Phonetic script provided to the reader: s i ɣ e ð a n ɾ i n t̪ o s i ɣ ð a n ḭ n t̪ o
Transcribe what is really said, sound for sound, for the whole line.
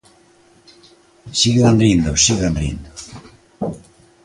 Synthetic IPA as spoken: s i ɣ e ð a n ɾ i n d̪ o s i ɣ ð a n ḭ n d̪ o